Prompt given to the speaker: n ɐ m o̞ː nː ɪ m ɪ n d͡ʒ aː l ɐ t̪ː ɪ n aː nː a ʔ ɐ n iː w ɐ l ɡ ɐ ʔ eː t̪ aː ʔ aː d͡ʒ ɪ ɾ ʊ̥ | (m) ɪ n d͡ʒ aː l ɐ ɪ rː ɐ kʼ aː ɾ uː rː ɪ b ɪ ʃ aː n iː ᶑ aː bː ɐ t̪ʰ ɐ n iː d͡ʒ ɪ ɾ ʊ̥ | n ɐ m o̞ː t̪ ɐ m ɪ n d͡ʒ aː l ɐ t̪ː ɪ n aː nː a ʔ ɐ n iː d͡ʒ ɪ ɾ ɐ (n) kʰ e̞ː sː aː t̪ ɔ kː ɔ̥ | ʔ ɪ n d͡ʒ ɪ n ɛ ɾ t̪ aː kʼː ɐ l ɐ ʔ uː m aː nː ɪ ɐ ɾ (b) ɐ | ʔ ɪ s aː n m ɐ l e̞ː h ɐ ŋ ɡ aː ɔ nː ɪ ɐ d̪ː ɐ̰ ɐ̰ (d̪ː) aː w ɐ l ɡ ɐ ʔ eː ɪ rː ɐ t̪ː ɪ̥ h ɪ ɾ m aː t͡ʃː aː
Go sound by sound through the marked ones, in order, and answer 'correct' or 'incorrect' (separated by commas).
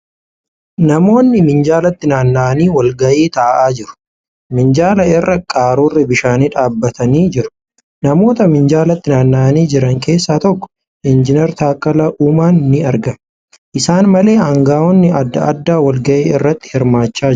correct, incorrect, incorrect, correct